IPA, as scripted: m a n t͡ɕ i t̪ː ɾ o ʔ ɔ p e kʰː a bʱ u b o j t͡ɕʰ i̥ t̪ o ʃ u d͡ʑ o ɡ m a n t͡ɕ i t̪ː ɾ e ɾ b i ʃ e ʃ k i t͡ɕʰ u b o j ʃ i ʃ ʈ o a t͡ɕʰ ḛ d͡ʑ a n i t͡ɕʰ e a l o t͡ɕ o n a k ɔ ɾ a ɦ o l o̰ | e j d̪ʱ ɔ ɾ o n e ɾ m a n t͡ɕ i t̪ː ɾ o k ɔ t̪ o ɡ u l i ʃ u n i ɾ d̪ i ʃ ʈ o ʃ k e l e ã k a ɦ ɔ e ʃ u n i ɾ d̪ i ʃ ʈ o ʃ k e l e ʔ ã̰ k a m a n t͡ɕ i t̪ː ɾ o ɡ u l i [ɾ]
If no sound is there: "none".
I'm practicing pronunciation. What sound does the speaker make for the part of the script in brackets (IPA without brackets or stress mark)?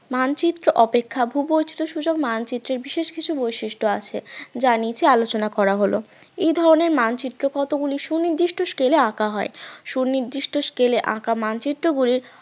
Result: ɾ